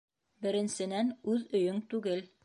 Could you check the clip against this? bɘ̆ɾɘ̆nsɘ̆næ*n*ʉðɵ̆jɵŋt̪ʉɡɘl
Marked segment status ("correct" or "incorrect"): correct